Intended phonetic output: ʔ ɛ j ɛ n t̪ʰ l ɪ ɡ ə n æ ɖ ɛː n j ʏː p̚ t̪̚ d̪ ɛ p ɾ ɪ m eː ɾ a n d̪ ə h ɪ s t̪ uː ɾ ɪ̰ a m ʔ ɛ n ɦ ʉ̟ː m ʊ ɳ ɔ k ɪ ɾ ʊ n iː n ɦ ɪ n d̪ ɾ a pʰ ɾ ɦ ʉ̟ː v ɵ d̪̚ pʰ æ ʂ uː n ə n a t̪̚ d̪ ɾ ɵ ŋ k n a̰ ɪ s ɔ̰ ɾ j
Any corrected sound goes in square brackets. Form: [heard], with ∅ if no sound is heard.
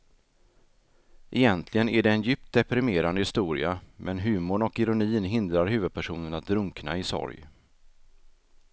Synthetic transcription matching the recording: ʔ ɛ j ɛ n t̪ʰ l ɪ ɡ ə n æ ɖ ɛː n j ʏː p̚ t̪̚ d̪ ɛ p ɾ ɪ m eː ɾ a n d̪ ə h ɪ s t̪ uː ɾ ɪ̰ a m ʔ ɛ n ɦ ʉ̟ː m ʊ ɳ ɔ k ɪ ɾ ʊ n iː n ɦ ɪ n d̪ ɾ a [∅] ɾ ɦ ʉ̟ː v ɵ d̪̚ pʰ æ ʂ uː n ə n a t̪̚ d̪ ɾ ɵ ŋ k n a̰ ɪ s ɔ̰ ɾ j